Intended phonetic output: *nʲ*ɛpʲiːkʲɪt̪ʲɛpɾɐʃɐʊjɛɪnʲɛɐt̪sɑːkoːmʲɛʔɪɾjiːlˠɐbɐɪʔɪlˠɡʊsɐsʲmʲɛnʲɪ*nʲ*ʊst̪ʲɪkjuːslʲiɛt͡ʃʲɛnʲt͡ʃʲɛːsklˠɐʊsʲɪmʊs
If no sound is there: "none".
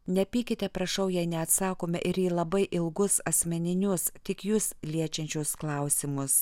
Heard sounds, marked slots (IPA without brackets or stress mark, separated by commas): nʲ, nʲ